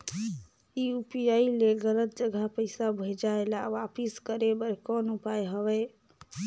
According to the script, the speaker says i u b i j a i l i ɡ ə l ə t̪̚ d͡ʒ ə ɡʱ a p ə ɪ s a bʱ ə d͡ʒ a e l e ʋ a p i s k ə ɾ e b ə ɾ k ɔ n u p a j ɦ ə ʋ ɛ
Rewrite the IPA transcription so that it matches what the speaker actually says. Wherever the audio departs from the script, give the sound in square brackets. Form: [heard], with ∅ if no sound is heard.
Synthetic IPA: i u [p] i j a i l [e] ɡ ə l ə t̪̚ d͡ʒ ə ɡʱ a p ə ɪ s a bʱ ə d͡ʒ a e l [a] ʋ a p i s k ə ɾ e b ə ɾ k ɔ n u p a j ɦ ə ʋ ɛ